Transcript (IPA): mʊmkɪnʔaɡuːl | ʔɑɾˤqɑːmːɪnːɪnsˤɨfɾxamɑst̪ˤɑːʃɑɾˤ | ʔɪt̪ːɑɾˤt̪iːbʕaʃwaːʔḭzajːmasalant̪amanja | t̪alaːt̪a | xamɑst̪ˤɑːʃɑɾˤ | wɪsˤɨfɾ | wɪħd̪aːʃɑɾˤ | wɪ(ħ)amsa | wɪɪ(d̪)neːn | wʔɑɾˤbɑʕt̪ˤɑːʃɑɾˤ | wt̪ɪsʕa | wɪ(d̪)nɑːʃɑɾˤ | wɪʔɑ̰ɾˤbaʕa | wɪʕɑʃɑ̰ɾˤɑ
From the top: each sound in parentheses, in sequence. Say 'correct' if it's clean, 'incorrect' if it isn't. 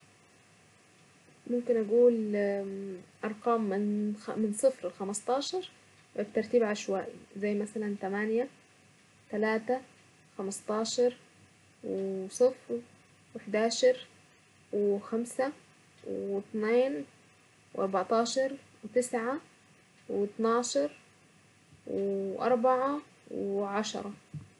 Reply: incorrect, incorrect, incorrect

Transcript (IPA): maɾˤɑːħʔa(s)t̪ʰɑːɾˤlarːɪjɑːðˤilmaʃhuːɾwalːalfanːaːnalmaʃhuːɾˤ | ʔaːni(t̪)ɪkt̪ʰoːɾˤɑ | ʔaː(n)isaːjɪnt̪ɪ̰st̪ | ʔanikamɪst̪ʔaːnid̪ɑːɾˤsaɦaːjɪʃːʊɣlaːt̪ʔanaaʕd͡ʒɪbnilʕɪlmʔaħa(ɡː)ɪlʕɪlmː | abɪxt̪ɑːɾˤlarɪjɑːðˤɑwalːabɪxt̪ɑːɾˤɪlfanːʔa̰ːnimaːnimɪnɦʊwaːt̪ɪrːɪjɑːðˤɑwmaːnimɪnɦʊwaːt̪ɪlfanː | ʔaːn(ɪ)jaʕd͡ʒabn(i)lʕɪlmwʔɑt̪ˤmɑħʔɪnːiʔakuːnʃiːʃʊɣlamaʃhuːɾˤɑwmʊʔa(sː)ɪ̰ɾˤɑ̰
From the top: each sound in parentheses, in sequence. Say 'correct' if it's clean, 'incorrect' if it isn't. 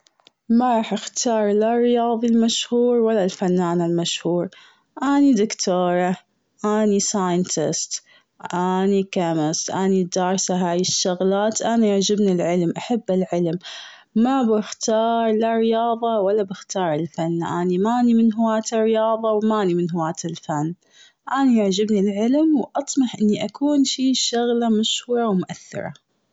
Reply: incorrect, incorrect, correct, incorrect, incorrect, correct, incorrect

